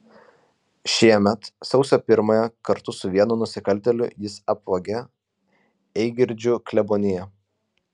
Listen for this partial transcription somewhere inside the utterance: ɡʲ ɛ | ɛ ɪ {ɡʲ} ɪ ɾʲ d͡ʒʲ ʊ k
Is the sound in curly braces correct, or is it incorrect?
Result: correct